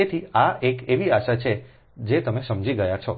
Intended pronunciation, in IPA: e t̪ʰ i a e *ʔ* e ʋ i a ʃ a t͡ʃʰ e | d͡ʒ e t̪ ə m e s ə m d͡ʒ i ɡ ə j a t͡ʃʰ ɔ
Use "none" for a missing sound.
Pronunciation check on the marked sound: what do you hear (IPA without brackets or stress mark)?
k